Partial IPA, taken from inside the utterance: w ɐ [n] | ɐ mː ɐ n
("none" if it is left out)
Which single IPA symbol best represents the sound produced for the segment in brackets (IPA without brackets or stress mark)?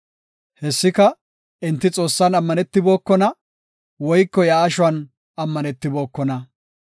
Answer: n